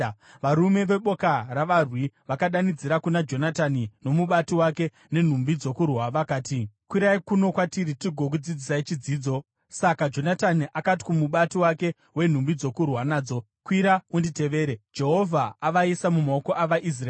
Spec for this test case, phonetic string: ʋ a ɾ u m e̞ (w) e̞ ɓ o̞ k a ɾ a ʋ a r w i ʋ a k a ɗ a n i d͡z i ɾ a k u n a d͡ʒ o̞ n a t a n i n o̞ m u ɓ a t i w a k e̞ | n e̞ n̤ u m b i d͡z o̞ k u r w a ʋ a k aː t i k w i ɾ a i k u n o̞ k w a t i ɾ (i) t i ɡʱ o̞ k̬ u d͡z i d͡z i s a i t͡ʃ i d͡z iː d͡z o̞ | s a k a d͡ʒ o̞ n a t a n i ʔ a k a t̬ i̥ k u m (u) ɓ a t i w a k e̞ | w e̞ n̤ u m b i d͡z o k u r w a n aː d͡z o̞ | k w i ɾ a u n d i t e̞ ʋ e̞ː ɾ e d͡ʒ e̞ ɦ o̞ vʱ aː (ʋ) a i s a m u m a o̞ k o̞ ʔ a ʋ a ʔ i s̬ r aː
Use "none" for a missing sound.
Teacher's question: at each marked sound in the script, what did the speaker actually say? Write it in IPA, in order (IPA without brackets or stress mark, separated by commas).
ʋ, i, u, ʋ